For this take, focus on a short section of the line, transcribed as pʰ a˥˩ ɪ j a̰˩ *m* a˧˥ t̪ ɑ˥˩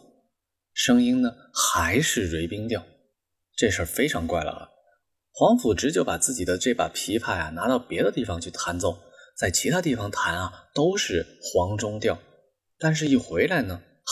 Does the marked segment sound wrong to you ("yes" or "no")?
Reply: yes